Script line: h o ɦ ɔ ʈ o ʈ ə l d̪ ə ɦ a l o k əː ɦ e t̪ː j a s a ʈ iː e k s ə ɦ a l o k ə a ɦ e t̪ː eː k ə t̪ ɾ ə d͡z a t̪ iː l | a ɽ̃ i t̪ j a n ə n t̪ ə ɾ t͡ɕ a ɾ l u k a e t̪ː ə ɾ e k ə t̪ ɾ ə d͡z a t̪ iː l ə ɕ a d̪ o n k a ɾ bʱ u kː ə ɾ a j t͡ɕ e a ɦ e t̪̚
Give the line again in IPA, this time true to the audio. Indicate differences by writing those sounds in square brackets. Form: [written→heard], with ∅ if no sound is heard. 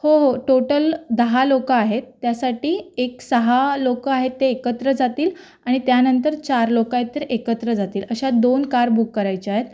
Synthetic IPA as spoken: h o ɦ [ɔ→o] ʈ o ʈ ə l d̪ ə ɦ a l o k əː ɦ e t̪ː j a s a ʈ iː e k s ə ɦ a l o k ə a ɦ e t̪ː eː k ə t̪ ɾ ə d͡z a t̪ iː l | a ɽ̃ i t̪ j a n ə n t̪ ə ɾ t͡ɕ a ɾ l [u→o] k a e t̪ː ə ɾ e k ə t̪ ɾ ə d͡z a t̪ iː l ə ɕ a d̪ o n k a ɾ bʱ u kː ə ɾ a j t͡ɕ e a ɦ e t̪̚